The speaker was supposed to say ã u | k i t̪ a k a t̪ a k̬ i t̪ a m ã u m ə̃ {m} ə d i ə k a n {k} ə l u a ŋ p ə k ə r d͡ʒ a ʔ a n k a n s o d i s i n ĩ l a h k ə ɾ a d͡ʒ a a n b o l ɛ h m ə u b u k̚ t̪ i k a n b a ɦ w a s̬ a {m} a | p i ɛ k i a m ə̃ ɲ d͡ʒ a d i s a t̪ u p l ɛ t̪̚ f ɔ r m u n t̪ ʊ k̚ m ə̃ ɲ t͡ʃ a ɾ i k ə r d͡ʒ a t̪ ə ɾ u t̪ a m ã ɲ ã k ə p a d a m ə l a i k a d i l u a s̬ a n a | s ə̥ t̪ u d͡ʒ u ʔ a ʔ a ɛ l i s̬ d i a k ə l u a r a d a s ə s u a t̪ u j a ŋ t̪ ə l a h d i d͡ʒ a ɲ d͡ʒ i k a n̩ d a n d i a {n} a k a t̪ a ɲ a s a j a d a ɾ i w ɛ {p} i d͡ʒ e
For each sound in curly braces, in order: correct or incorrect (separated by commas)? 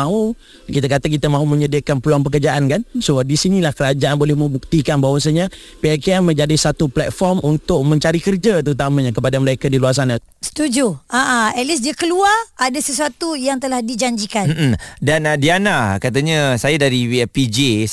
incorrect, incorrect, incorrect, correct, correct